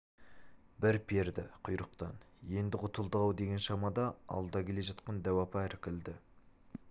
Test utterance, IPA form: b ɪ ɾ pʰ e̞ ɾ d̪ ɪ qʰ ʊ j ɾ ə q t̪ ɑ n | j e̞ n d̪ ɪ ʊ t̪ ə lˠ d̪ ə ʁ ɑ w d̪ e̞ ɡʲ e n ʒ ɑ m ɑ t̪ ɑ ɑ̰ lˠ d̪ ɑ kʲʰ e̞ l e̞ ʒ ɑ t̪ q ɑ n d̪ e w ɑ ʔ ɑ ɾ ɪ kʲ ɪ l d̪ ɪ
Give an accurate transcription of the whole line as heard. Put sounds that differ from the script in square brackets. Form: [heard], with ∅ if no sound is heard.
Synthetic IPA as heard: b ɪ ɾ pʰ e̞ ɾ d̪ ɪ qʰ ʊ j ɾ ə q t̪ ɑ n | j e̞ n d̪ ɪ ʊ t̪ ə lˠ d̪ ə ʁ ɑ w d̪ e̞ ɡʲ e n [ʃ] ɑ m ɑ [d̪] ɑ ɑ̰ lˠ d̪ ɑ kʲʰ e̞ l e̞ ʒ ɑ t̪ q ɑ n d̪ [æ] w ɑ [p] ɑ ɾ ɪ kʲ ɪ l d̪ ɪ